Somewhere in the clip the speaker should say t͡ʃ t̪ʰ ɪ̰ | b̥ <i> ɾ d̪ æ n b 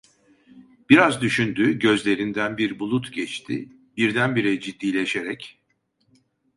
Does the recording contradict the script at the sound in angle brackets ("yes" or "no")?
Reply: no